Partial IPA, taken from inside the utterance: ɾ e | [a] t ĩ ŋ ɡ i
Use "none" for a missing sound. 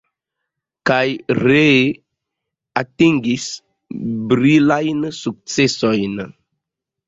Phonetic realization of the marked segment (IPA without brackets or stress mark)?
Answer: a